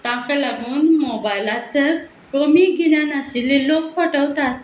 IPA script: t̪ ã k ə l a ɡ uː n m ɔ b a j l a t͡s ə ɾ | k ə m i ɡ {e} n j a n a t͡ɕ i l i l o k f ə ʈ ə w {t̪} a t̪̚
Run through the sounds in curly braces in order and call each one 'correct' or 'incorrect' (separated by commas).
incorrect, correct